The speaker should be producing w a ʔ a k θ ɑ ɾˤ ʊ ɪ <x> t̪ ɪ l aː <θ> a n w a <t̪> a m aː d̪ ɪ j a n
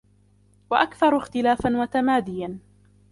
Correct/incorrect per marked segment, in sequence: correct, incorrect: f, correct

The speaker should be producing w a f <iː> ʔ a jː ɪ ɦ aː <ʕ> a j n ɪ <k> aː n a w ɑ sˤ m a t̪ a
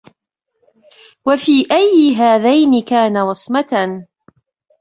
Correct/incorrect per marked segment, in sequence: correct, incorrect: ð, correct

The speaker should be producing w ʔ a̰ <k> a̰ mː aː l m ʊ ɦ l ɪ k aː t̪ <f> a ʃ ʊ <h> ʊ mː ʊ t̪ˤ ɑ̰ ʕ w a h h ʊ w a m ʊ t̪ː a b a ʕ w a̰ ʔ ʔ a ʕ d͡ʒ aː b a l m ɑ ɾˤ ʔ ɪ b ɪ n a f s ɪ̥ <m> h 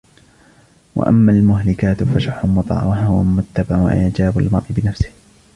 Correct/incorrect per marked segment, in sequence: incorrect: ʔ, correct, incorrect: ħ, incorrect: none

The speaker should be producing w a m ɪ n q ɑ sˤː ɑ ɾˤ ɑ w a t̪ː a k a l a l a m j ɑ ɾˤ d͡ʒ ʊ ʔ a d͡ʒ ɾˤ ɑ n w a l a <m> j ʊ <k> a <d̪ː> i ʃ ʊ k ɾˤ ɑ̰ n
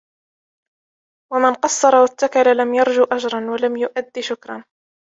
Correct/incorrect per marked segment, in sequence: correct, incorrect: ʔ, correct

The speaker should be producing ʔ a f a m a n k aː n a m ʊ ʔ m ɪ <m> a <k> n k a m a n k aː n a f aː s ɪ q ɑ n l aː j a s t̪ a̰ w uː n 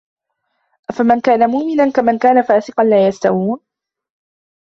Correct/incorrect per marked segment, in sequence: incorrect: n, incorrect: none

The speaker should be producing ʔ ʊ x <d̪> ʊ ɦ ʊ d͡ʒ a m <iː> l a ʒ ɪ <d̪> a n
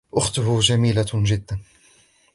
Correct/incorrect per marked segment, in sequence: incorrect: t̪, correct, incorrect: d̪ː

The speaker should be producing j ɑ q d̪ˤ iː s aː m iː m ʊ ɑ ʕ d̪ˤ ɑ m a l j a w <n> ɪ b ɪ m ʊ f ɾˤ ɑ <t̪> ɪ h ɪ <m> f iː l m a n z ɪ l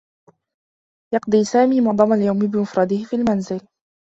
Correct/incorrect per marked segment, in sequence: incorrect: m, incorrect: d̪, incorrect: none

